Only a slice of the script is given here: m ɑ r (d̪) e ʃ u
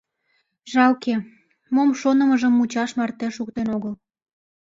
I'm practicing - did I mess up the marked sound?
yes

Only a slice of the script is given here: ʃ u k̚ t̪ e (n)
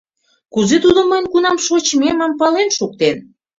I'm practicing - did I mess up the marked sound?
no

